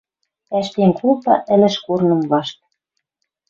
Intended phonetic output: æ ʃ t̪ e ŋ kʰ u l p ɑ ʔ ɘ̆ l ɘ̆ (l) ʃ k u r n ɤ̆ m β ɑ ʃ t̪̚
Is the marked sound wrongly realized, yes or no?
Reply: yes